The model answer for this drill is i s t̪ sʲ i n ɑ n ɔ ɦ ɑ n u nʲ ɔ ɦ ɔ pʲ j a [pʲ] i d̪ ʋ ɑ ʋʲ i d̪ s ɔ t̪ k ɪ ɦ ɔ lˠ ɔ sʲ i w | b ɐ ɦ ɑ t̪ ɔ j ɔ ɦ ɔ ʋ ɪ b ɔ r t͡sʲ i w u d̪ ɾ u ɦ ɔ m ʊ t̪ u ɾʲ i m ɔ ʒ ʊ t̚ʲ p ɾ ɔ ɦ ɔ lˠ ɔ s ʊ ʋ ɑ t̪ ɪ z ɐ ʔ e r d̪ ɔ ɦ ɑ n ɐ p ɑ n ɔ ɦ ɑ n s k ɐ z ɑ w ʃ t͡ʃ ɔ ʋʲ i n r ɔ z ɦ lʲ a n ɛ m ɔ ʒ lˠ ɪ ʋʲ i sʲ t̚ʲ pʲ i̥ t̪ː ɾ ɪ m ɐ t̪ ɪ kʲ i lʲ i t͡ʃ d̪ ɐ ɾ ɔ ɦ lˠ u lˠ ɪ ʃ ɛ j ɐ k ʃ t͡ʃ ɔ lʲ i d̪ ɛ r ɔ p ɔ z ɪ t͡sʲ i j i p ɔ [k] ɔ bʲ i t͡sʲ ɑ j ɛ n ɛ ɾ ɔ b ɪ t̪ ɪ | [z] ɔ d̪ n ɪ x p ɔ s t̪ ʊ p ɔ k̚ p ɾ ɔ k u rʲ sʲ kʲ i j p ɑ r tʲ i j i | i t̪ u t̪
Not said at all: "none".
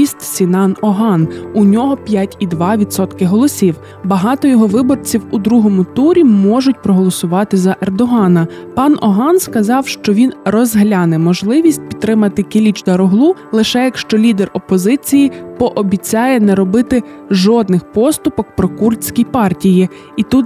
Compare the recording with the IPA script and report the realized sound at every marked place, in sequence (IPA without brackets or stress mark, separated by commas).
tʲ, ʔ, ʒ